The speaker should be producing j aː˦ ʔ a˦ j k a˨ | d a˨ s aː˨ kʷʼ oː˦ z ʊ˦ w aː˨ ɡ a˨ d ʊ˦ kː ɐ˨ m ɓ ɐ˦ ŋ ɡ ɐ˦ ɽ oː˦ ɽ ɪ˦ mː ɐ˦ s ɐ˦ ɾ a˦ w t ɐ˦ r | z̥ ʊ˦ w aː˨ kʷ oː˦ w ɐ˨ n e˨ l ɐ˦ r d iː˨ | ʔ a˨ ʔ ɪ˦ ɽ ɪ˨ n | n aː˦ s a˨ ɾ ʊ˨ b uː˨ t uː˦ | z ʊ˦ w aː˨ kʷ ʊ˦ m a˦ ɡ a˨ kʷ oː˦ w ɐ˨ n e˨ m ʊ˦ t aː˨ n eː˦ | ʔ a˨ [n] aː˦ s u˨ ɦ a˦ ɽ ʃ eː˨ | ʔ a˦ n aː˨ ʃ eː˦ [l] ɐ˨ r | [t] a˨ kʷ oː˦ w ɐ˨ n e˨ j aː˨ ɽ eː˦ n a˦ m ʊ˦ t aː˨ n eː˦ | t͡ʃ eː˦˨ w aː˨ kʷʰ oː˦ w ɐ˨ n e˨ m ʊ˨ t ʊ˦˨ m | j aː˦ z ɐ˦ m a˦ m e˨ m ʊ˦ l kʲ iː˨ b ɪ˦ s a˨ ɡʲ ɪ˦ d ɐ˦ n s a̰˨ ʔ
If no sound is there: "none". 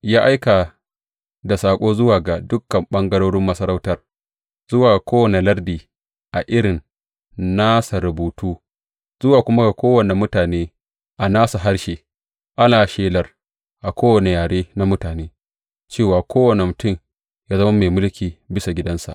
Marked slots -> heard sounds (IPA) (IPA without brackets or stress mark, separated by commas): n, l, ʔ